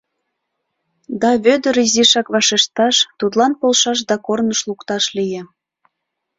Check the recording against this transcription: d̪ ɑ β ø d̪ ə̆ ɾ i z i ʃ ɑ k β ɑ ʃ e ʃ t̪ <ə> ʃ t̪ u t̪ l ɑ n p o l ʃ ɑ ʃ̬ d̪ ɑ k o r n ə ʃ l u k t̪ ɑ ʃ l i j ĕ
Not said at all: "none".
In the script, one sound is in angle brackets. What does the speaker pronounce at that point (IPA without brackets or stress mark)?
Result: ɑ